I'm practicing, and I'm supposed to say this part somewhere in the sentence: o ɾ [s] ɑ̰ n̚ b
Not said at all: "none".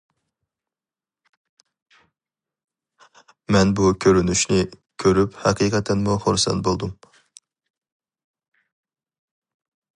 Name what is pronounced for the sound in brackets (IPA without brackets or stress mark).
s